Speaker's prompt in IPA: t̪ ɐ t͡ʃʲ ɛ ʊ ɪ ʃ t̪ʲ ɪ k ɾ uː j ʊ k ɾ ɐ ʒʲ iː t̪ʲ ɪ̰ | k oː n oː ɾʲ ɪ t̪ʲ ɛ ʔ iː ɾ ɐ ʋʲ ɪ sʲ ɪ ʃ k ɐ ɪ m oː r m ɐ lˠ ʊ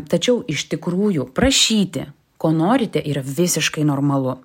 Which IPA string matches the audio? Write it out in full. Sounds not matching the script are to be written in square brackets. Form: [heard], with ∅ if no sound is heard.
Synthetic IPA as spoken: t̪ ɐ t͡ʃʲ ɛ ʊ ɪ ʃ t̪ʲ ɪ k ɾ uː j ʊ [p] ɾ ɐ [ʃʲ] iː t̪ʲ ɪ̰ | k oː n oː ɾʲ ɪ t̪ʲ ɛ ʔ iː ɾ ɐ ʋʲ ɪ sʲ ɪ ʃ k ɐ ɪ [n] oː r m ɐ lˠ ʊ